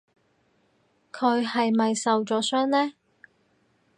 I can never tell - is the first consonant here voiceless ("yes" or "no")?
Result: yes